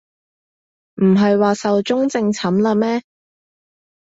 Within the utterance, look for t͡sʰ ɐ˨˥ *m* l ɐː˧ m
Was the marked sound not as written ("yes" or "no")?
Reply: no